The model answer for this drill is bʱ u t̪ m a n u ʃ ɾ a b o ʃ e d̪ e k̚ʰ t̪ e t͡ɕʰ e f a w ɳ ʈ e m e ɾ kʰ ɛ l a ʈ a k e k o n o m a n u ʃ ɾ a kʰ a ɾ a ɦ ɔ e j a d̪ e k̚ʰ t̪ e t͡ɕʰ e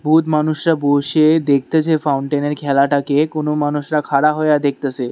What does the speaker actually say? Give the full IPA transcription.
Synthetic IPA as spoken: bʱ u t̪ m a n u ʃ ɾ a b o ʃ e d̪ e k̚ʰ t̪ e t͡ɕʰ e f a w ɳ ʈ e n e ɾ kʰ ɛ l a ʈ a k e k o n o m a n u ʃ ɾ a kʰ a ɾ a ɦ ɔ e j a d̪ e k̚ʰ t̪ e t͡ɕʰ e